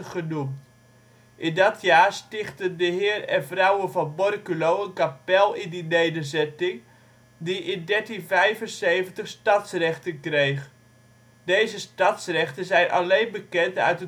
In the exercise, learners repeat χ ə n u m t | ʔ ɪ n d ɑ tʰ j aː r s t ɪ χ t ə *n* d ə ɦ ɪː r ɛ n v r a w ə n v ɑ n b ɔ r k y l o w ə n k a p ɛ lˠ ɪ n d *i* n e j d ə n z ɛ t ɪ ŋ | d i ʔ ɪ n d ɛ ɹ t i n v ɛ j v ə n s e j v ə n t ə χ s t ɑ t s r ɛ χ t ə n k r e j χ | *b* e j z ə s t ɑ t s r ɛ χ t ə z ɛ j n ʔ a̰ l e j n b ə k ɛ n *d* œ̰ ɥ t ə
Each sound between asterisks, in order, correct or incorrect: correct, correct, incorrect, incorrect

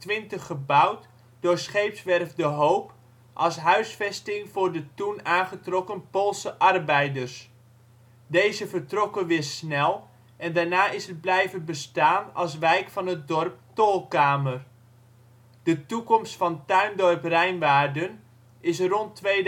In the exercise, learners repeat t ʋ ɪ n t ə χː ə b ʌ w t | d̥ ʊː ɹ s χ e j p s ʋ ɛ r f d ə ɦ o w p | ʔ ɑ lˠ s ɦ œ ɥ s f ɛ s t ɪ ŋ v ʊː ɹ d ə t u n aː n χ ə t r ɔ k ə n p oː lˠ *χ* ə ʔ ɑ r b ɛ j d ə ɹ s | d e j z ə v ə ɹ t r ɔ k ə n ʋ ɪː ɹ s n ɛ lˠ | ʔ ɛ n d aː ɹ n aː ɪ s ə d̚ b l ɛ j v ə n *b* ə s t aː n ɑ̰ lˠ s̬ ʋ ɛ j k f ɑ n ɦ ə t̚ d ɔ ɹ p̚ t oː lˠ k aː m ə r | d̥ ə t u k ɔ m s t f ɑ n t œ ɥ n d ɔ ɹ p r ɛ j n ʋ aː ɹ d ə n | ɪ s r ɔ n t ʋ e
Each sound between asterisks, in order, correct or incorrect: incorrect, correct

